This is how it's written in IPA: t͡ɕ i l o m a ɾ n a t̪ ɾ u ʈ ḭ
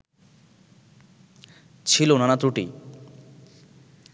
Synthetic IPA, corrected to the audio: t͡ɕʰ i l o n a n a t̪ ɾ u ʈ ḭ